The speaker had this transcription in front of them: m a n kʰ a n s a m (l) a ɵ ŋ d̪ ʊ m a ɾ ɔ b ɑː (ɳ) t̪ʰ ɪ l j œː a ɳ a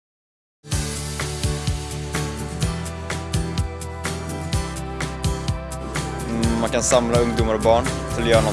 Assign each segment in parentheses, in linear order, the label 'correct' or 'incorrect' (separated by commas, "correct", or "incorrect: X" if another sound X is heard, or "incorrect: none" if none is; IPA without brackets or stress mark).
correct, correct